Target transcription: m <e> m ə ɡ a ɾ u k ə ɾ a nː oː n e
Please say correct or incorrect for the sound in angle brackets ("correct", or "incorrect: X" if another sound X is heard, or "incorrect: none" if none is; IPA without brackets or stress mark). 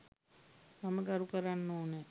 incorrect: a